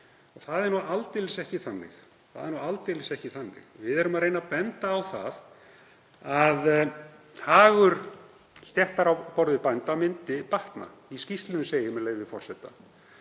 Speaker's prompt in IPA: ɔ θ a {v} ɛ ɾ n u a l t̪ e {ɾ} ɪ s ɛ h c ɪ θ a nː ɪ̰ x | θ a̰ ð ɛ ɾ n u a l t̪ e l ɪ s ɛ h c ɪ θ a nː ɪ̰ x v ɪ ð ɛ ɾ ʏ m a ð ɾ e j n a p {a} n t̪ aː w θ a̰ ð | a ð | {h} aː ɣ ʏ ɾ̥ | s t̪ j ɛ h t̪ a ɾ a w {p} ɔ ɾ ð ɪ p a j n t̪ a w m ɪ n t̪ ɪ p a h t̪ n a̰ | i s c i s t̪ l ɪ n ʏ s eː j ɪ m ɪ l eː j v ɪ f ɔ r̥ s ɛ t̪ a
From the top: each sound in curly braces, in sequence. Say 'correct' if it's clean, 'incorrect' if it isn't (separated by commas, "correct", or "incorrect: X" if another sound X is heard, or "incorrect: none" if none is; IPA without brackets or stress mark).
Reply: incorrect: ð, incorrect: l, incorrect: ɛ, correct, correct